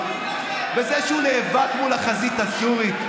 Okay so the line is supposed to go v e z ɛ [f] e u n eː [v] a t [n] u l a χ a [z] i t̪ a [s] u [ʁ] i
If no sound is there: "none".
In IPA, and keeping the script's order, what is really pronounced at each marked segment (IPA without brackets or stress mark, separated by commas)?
ʃ, v, m, z, s, ʁ